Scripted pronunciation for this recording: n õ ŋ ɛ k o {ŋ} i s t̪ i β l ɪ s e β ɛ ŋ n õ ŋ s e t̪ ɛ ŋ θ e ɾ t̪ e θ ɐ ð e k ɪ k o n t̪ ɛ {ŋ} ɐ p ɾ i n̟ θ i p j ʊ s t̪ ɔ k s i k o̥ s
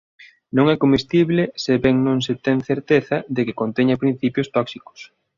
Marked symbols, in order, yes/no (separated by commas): no, no